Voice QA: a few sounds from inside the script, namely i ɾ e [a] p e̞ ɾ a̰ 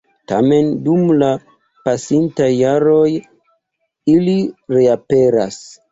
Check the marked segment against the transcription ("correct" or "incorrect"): correct